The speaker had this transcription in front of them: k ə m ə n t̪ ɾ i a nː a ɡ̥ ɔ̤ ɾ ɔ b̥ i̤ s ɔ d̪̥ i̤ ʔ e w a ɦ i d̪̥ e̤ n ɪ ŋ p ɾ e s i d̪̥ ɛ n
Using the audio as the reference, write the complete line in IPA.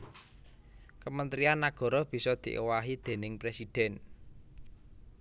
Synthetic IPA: k ə m ə n t̪ ɾ i a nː a ɡ̥ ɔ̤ ɾ ɔ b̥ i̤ s ɔ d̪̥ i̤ ʔ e w a ɦ i d̪̥ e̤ n ɪ ŋ p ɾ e s i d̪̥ ɛ n